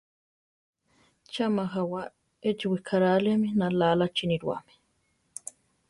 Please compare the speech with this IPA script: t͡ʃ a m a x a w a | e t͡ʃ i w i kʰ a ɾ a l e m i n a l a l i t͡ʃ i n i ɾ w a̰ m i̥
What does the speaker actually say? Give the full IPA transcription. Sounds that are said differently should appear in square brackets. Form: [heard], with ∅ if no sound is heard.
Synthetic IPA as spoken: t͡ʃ a m a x a w a | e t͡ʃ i w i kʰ a ɾ a l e m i n a l a l [a] t͡ʃ i n i ɾ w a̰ m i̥